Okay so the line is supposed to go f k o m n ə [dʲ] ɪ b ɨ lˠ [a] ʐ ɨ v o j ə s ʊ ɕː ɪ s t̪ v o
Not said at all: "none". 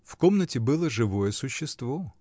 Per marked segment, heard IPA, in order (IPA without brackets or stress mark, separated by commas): tʲ, ə